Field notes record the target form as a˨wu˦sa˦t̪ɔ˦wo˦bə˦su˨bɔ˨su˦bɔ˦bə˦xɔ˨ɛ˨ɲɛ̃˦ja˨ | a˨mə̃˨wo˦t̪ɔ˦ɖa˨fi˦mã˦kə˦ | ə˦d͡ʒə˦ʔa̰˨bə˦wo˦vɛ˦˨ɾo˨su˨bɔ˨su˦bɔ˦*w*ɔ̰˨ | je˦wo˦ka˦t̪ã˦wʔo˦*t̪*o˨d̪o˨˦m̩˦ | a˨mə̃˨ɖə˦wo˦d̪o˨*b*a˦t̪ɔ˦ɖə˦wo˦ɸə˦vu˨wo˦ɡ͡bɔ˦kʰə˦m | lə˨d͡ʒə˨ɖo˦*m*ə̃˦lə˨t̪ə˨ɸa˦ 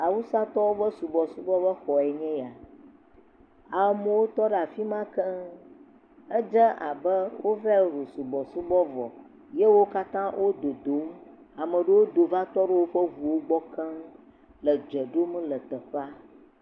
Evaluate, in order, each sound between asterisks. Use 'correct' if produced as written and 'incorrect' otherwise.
incorrect: v, incorrect: d̪, incorrect: v, correct

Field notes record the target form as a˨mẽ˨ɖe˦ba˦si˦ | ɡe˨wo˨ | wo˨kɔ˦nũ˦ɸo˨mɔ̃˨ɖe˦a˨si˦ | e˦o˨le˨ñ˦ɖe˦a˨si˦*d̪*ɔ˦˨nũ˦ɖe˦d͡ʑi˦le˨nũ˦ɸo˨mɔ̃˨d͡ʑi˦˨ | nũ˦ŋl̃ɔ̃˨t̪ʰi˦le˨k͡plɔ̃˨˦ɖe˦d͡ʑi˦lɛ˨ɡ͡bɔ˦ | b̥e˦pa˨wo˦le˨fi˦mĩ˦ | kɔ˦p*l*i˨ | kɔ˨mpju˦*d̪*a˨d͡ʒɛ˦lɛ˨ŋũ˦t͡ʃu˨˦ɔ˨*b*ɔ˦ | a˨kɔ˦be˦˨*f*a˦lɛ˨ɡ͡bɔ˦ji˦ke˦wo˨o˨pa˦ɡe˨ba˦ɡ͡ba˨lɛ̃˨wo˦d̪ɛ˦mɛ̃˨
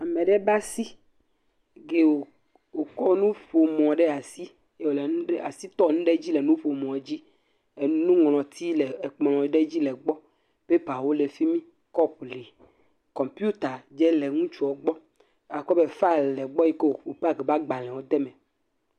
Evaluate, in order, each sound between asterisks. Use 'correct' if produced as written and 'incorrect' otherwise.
incorrect: t̪, correct, incorrect: t̪, incorrect: ɡ͡b, correct

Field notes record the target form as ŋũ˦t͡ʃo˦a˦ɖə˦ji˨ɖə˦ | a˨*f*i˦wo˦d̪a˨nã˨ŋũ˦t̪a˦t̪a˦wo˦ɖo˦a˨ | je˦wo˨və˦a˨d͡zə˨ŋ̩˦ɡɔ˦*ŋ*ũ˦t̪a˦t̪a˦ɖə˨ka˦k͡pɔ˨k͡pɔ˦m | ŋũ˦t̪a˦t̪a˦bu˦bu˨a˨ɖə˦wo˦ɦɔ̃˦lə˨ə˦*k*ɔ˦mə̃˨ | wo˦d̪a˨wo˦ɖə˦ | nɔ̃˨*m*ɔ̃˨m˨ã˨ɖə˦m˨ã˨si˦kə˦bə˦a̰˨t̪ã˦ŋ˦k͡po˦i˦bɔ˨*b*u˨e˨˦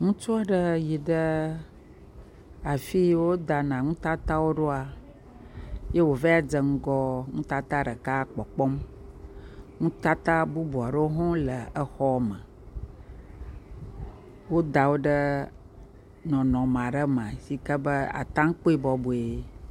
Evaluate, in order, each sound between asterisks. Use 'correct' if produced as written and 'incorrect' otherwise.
correct, correct, incorrect: x, incorrect: n, correct

